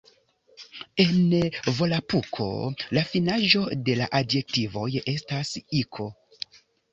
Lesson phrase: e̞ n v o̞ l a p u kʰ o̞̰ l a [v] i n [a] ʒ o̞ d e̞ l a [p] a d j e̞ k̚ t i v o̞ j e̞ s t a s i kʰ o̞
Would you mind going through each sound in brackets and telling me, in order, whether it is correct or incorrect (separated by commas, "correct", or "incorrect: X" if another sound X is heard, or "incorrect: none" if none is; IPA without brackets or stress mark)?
incorrect: f, correct, incorrect: ʔ